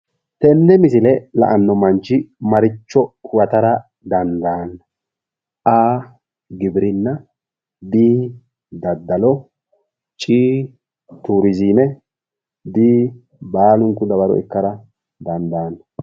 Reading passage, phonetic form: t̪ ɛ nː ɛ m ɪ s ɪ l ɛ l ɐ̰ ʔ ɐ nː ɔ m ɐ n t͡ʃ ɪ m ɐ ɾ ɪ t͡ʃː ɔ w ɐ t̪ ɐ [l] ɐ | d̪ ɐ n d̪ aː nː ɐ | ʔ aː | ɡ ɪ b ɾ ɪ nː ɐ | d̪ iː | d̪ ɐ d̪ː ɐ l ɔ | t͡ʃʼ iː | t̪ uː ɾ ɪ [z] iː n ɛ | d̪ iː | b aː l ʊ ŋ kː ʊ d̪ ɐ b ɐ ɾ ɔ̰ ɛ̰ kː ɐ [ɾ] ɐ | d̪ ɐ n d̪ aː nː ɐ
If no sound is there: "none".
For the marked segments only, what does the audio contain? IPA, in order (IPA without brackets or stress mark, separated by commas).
ɾ, z, ɾ